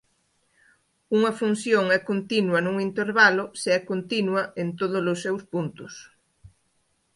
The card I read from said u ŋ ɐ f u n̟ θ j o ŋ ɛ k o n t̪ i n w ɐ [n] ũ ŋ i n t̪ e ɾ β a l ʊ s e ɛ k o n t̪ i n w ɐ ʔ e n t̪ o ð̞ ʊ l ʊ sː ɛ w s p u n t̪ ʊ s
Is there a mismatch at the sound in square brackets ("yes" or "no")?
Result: no